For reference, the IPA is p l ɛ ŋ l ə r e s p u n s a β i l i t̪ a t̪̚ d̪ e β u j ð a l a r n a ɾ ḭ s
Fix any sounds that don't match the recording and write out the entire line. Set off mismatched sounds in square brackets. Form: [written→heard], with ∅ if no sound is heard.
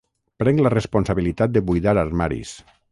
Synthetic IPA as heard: p [l→ɾ] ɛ ŋ l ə r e s p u n s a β i l i t̪ a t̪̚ d̪ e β u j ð a [l→ɾ] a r [n→m] a ɾ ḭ s